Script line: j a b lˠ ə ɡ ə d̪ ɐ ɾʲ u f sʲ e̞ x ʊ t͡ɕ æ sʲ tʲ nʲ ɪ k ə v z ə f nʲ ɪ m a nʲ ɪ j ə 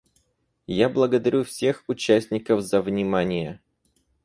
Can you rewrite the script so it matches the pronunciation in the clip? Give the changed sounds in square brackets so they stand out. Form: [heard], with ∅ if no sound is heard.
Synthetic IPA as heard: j a b lˠ ə ɡ ə d̪ ɐ ɾʲ u f sʲ e̞ x ʊ t͡ɕ æ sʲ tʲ nʲ ɪ k ə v z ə [v] nʲ ɪ m a nʲ ɪ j ə